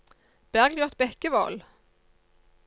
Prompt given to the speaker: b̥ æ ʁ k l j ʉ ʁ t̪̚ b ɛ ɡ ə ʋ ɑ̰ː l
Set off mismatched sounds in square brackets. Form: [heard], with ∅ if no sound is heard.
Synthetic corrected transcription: b̥ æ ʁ [ɡ] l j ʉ ʁ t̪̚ b ɛ [k] ə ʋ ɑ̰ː l